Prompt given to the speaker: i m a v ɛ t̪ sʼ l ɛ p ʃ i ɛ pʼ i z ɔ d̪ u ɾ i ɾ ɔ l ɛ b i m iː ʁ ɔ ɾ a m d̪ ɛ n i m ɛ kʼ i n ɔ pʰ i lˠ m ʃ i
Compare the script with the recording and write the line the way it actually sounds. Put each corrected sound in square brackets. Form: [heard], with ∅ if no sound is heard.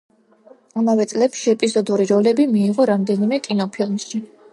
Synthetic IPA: [a] m a v ɛ t̪ sʼ l ɛ p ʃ i ɛ pʼ i z ɔ d̪ u ɾ i ɾ ɔ l ɛ b i m iː ʁ ɔ ɾ a m d̪ ɛ n i m ɛ kʼ i n ɔ pʰ i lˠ m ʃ i